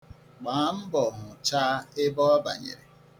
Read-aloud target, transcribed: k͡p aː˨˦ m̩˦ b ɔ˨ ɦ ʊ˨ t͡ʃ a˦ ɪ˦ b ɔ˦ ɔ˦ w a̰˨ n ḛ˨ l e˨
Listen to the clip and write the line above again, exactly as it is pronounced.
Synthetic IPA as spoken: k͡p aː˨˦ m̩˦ b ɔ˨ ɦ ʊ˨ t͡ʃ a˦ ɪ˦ b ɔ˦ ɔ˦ b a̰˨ ɲ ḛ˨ ɾ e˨